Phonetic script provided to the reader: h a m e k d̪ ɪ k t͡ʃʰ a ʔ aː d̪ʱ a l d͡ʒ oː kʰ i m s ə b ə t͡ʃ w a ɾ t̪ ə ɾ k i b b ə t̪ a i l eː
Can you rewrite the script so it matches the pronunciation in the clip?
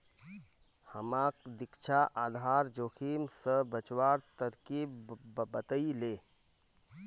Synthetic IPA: h ə m a k d̪ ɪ k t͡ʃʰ a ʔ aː d̪ʱ a ɾ d͡ʒ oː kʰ i m s ə b ə t͡ʃ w a ɾ t̪ ə ɾ k i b b ə t̪ ə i l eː

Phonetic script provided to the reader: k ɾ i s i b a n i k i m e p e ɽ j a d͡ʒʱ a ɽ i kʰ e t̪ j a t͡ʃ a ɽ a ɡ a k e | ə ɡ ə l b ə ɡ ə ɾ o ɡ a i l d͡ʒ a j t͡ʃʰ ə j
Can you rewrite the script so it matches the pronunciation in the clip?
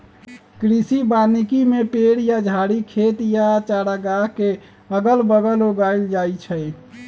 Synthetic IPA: k ɾ i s i b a n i k i m e p e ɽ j a d͡ʒʱ a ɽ i kʰ e t̪ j a t͡ʃ a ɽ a ɡ a k e | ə ɡ ə l b ə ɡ ə l o ɡ a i l d͡ʒ a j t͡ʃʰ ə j

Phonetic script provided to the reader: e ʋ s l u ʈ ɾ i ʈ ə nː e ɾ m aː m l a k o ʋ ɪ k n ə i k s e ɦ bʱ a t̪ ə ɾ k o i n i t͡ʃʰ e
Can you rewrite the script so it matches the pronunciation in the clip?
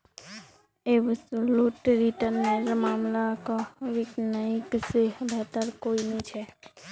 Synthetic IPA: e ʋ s l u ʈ ɾ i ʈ ə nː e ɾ m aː m l a k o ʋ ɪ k n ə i k s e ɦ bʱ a t̪ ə ɾ k o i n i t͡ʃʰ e

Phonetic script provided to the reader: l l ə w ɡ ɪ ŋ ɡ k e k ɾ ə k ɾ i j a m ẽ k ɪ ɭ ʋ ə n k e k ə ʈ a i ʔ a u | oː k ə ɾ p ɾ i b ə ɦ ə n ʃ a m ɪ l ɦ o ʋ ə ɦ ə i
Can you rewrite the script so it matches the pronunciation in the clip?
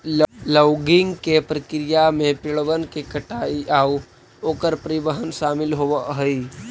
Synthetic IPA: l l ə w ɡ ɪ ŋ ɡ k e p ɾ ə k ɾ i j a m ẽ p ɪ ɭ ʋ ə n k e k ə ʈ a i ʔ a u | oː k ə ɾ p ɾ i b ə ɦ ə n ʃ a m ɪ l ɦ o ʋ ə ɦ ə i

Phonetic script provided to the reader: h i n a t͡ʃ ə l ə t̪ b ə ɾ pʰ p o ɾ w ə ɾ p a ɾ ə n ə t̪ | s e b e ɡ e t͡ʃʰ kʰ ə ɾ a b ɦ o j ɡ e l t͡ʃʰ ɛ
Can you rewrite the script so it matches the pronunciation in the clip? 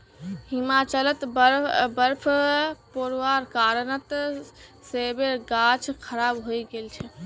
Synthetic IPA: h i m a t͡ʃ ə l ə t̪ b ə ɾ pʰ p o ɾ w a ɾ k a ɾ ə n ə t̪ | s e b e ɡ a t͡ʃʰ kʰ ə ɾ a b ɦ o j ɡ e l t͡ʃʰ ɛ

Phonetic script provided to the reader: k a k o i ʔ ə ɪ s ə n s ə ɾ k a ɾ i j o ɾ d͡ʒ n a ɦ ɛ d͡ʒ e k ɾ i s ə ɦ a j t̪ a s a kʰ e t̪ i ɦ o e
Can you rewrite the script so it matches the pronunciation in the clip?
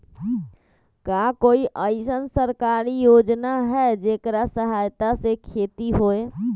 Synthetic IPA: k a k o i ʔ ə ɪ s ə n s ə ɾ k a ɾ i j o d͡ʒ n a ɦ ɛ d͡ʒ e k ɾ a s ə ɦ a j t̪ a s e kʰ e t̪ i ɦ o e

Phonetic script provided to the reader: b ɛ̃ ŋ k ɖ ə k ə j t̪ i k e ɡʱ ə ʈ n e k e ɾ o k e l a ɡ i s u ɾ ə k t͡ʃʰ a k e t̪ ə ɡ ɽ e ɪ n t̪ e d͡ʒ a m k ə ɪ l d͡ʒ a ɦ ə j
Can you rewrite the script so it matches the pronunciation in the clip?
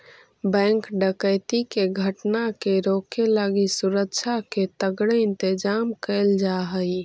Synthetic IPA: b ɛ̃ ŋ k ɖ ə k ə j t̪ i k e ɡʱ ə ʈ n a k e ɾ o k e l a ɡ i s u ɾ ə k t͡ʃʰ a k e t̪ ə ɡ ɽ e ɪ n t̪ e d͡ʒ a m k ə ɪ l d͡ʒ a ɦ ə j

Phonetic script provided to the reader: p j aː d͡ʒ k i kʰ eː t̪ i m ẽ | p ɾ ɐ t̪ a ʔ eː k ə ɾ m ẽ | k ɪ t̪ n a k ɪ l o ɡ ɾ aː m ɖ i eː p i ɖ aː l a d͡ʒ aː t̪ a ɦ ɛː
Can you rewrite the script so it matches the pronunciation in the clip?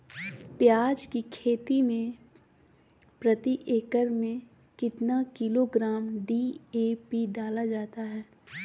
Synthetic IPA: p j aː d͡ʒ k i kʰ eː t̪ i m ẽ | p ɾ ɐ t̪ i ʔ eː k ə ɾ m ẽ | k ɪ t̪ n a k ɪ l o ɡ ɾ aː m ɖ i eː p i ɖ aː l a d͡ʒ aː t̪ a ɦ ɛː

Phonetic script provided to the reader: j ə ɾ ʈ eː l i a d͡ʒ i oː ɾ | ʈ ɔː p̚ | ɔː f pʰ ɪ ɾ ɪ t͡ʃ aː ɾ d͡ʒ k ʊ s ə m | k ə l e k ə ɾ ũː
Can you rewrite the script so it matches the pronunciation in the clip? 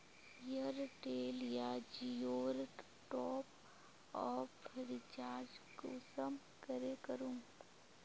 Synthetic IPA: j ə ɾ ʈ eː l j a d͡ʒ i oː ɾ | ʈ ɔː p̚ | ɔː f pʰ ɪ ɾ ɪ t͡ʃ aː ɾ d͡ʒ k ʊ s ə m | k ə ɾ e k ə ɾ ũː

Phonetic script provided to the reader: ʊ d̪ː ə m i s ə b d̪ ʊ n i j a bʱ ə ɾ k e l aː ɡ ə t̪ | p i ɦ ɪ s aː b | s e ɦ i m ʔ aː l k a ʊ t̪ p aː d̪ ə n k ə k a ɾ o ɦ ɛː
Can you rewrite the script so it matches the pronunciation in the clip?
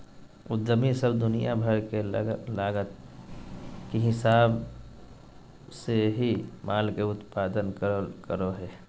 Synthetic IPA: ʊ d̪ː ə m i s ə b d̪ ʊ n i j a bʱ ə ɾ k e l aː ɡ ə t̪ | k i ɦ ɪ s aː b | s e ɦ i m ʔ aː l k e ʊ t̪ p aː d̪ ə n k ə k ə ɾ o ɦ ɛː

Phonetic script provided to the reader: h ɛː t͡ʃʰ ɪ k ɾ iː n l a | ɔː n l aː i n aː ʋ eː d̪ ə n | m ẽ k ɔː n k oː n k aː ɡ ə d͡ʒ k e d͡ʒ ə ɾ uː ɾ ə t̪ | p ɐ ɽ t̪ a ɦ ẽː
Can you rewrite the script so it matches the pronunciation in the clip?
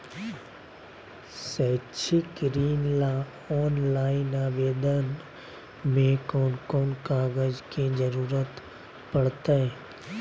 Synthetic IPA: s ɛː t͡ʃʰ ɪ k ɾ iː n l a | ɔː n l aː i n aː ʋ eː d̪ ə n | m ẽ k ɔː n k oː n k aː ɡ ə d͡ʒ k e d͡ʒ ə ɾ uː ɾ ə t̪ | p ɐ ɽ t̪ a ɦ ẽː

